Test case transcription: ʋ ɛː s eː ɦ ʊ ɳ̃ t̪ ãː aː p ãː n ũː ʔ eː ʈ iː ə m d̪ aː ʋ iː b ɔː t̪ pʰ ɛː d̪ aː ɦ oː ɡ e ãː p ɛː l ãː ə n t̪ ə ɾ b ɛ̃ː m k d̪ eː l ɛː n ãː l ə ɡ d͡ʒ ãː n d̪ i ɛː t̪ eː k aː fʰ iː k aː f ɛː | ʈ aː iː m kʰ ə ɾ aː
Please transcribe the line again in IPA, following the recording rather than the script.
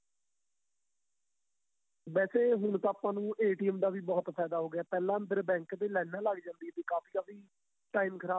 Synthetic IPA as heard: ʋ ɛː s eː ɦ ʊ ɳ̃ t̪ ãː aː p ãː n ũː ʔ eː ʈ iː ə m d̪ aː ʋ iː b ɔː t̪ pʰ ɛː d̪ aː ɦ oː ɡ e aː p ɛː l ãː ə n d̪ ə ɾ b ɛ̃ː ŋ k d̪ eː l ɛː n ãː l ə ɡ d͡ʒ ãː n d̪ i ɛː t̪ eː k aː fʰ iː k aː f iː | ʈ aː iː m kʰ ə ɾ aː